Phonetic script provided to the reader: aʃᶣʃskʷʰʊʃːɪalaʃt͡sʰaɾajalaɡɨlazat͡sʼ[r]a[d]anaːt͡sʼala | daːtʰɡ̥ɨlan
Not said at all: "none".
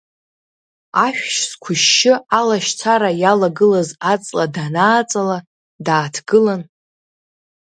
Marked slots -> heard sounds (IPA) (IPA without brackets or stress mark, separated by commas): l, d